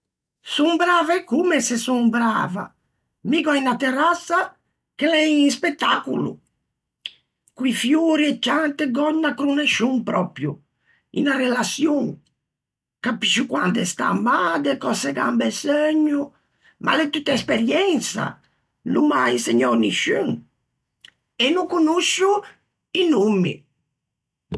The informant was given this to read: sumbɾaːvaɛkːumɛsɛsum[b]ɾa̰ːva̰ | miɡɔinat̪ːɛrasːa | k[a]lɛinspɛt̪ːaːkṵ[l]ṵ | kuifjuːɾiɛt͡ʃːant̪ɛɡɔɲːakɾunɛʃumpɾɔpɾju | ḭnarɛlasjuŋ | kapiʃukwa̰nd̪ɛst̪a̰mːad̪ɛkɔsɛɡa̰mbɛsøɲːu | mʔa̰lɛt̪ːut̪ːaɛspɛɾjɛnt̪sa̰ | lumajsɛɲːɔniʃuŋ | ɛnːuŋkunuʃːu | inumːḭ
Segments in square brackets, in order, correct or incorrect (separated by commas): correct, incorrect, correct